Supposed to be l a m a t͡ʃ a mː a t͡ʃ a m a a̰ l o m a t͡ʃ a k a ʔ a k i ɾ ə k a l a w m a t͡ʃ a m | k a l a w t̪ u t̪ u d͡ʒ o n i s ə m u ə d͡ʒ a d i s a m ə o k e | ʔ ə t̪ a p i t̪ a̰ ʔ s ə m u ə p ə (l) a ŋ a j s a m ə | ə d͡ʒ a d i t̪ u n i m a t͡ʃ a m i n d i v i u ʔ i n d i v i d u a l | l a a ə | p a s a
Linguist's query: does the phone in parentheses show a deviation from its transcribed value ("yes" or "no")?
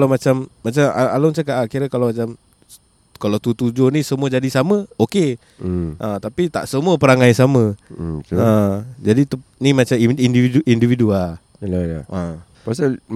yes